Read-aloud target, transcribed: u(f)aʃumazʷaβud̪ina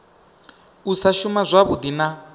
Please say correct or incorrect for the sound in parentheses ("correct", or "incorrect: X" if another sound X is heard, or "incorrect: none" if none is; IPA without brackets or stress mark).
incorrect: s